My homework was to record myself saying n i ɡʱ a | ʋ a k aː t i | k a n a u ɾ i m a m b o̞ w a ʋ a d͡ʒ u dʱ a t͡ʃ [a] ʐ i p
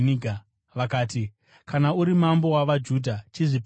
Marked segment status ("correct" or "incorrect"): incorrect